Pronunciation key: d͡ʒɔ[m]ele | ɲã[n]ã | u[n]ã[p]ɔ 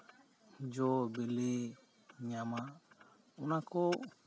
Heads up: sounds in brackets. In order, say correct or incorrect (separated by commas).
incorrect, incorrect, correct, incorrect